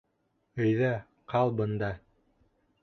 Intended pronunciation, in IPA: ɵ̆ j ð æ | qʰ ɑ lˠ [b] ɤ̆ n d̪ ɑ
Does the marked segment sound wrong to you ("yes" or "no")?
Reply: no